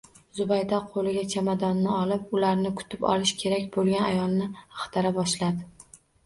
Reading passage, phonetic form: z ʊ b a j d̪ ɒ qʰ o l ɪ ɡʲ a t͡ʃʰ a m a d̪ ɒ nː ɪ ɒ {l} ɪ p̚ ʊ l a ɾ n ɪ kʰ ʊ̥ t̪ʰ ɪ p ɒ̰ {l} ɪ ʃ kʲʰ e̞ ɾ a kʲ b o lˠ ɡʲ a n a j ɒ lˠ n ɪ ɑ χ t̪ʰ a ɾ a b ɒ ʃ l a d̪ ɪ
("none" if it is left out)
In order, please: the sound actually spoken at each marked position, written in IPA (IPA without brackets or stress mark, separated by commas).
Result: l, l